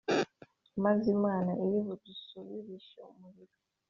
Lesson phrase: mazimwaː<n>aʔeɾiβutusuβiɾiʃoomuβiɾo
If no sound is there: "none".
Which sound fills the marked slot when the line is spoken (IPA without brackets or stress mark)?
n